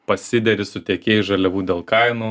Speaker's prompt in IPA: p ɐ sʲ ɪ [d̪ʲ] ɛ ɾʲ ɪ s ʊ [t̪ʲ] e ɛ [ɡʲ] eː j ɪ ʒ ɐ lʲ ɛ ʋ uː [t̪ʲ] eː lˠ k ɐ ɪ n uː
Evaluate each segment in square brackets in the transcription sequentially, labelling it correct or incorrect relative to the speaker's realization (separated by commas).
correct, correct, incorrect, incorrect